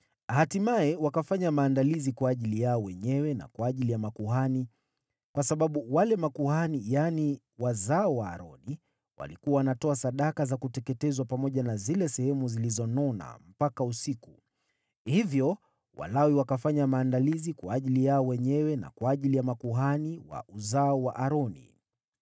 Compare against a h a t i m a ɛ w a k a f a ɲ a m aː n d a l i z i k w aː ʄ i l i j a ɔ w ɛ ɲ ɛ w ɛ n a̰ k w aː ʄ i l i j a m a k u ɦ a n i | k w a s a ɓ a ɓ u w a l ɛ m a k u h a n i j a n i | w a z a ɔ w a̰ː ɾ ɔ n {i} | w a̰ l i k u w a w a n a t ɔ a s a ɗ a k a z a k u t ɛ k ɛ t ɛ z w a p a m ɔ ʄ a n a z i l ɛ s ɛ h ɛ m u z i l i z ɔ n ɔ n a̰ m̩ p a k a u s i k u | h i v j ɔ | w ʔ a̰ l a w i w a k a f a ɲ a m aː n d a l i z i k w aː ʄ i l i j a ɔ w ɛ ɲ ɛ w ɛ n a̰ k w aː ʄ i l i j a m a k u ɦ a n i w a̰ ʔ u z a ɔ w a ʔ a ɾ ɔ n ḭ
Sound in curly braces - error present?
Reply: no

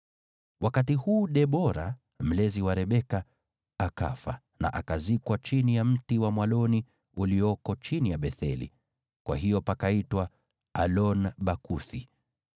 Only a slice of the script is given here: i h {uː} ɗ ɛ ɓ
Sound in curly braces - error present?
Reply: no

